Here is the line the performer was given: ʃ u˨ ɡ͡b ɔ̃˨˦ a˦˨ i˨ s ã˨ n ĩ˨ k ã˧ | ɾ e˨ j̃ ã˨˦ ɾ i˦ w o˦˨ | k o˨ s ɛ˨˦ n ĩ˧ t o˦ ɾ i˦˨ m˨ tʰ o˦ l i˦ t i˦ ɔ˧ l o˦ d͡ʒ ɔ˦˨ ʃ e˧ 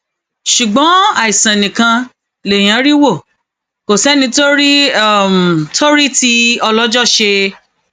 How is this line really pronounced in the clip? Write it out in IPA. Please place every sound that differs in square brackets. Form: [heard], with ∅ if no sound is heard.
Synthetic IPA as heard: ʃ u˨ ɡ͡b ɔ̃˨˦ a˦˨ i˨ s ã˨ n ĩ˨ k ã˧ | [l] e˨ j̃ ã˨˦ ɾ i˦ w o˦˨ | k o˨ s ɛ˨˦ n ĩ˧ t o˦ ɾ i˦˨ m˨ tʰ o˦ [ɾ] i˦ t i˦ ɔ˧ l [ɔ˦] d͡ʒ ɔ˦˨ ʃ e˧